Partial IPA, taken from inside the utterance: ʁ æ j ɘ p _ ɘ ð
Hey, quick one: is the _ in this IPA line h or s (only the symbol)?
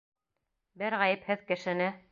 h